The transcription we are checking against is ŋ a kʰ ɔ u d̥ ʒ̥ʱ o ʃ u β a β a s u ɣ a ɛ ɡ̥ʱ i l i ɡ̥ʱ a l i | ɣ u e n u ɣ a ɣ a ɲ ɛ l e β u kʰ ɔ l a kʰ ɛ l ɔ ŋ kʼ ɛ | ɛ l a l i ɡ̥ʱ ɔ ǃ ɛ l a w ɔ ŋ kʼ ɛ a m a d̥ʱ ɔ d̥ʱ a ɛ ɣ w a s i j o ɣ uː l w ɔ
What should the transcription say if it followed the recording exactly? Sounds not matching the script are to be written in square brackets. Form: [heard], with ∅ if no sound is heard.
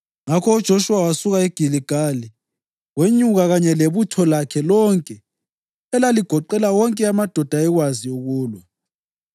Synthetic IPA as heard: ŋ a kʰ ɔ u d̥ ʒ̥ʱ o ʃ u [w] a [w] a s u ɣ a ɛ ɡ̥ʱ i l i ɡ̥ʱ a l i | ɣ [w] e [ɲ] u ɣ a ɣ a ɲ ɛ l e β u [tʰ] ɔ l a kʰ ɛ l ɔ ŋ kʼ ɛ | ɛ l a l i ɡ̥ʱ ɔ ǃ ɛ l a w ɔ ŋ kʼ ɛ a m a d̥ʱ ɔ d̥ʱ a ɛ ɣ w a [z] i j o ɣ uː l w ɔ